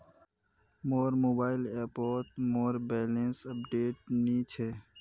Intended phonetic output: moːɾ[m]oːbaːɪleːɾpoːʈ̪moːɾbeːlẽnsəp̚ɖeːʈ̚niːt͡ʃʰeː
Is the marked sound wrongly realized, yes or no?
no